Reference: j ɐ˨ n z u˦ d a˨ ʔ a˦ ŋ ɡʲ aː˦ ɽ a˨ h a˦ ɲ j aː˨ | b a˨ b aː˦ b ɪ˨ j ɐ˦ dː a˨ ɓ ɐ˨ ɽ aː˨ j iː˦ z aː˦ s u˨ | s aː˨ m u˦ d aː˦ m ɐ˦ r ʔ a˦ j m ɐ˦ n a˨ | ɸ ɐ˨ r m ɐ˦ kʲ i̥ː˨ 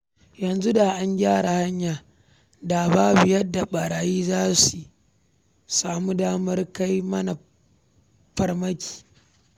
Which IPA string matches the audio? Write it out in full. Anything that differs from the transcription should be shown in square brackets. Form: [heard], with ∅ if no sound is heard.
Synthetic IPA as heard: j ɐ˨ n z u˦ d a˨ ʔ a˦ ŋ ɡʲ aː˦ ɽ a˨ h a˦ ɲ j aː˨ | [d] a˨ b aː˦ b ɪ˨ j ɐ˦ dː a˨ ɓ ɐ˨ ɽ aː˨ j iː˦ z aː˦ s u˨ | s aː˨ m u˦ d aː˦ m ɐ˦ r [k] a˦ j m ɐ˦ n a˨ | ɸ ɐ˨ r m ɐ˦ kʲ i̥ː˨